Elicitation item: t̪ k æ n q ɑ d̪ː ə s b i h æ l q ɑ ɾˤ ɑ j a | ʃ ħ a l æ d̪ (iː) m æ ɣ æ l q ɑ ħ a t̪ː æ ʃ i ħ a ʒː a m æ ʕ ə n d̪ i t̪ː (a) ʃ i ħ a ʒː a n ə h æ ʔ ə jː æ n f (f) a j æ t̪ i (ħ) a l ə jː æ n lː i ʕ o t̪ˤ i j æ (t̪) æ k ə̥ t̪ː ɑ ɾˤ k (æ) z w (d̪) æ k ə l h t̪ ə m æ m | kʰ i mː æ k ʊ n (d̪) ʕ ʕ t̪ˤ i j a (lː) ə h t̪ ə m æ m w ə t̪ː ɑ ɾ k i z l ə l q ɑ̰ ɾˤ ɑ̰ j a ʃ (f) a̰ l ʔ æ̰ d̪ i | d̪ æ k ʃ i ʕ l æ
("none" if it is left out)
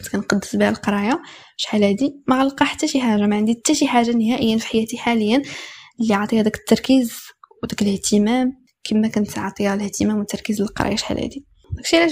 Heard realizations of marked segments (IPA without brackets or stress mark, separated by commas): i, æ, ħ, ħ, d̪, i, d̪, t̪, l, ħ